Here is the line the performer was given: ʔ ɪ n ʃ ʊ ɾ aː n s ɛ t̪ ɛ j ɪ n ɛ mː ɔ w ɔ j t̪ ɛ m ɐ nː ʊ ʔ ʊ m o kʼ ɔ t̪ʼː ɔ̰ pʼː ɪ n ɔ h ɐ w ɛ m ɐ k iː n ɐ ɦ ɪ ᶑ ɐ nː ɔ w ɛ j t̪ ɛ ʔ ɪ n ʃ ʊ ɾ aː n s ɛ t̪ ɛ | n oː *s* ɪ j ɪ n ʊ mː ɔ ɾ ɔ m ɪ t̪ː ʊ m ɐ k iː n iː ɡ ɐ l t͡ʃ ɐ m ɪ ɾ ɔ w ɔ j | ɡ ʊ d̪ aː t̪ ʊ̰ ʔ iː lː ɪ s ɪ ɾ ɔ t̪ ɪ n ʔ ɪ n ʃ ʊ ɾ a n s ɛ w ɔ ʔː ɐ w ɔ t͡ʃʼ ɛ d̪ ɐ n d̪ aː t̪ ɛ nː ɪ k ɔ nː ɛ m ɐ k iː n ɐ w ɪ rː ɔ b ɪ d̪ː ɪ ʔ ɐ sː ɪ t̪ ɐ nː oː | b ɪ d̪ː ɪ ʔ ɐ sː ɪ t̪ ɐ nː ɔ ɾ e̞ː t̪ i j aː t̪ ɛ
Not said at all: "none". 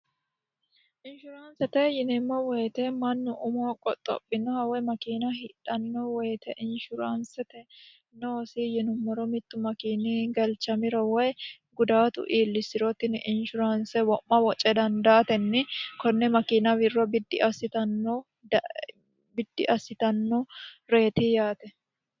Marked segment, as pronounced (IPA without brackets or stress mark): s